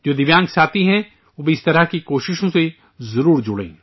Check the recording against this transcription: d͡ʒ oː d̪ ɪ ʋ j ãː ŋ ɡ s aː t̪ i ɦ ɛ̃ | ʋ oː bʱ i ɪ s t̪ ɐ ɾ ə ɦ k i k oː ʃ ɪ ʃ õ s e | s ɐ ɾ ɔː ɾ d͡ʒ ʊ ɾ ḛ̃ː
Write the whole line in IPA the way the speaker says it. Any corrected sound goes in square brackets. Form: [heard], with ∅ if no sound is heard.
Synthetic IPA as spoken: d͡ʒ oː d̪ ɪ ʋ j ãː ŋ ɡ s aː t̪ i ɦ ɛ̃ | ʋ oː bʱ i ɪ s t̪ ɐ ɾ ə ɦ k i k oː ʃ ɪ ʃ õ s e | [z] ɐ ɾ [uː] ɾ d͡ʒ ʊ [ɽ] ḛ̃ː